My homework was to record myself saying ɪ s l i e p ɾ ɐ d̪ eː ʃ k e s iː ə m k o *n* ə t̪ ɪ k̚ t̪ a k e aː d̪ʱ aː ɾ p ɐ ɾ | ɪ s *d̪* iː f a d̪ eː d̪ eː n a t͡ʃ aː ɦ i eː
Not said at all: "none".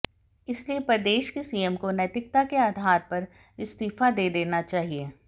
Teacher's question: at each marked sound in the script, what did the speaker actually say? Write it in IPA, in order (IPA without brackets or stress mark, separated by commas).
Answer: n, t̪